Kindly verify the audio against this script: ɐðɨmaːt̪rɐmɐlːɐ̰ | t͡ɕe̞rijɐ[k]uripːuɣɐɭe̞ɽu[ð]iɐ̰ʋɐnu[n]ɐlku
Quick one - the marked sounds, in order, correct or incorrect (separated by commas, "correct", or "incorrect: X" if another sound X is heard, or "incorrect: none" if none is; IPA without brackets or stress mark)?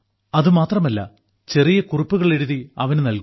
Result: correct, correct, correct